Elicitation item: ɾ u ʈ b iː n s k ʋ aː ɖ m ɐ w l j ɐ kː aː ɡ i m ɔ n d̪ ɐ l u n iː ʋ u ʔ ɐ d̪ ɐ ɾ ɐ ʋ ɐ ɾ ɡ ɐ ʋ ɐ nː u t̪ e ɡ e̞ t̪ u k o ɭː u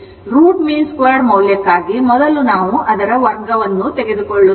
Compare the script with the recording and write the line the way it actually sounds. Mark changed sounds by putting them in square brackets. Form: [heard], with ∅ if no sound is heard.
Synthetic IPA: ɾ [uː] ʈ [m] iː n s k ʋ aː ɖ m ɐ w l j ɐ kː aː ɡ i m ɔ [∅] d̪ ɐ l u n [aː] ʋ u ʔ ɐ d̪ ɐ ɾ ɐ ʋ ɐ ɾ ɡ ɐ ʋ ɐ nː u t̪ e ɡ e̞ [d̪] u k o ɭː u